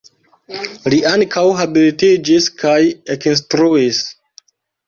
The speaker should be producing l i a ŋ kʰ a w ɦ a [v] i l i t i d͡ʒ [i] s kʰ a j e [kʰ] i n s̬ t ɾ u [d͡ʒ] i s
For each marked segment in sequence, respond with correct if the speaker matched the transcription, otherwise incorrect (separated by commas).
incorrect, correct, incorrect, incorrect